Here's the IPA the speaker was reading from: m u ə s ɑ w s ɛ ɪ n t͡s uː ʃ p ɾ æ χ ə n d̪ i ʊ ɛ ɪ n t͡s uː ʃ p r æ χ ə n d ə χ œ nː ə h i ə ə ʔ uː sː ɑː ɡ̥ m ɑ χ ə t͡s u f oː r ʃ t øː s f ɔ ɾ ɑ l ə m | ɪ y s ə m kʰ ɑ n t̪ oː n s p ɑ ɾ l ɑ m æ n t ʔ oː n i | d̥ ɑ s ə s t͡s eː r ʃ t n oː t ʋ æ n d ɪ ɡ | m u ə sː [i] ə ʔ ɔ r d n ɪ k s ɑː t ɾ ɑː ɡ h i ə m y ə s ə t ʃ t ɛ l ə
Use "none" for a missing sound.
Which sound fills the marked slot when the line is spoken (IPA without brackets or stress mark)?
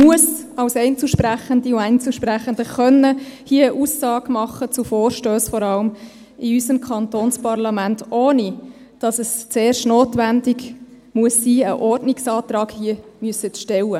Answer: iː